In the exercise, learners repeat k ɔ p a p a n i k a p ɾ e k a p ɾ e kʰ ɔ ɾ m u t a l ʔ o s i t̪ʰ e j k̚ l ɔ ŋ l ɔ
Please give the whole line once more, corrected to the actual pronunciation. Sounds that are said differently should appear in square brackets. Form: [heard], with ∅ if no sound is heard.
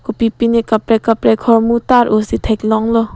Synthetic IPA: k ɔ p [i] p [i] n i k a p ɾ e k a p ɾ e kʰ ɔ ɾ m u t a [ɾ] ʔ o s i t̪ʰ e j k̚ l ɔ ŋ l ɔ